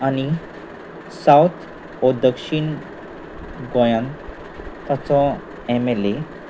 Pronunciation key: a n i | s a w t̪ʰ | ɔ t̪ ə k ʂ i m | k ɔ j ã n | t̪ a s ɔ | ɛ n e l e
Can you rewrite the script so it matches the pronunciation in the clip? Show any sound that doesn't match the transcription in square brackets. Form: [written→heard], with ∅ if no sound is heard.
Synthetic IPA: a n i | s a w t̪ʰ | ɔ [t̪→d̪] ə k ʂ i [m→ɳ] | [k→ɡ] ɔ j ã n | t̪ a [s→t͡s] ɔ | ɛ [n→m] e l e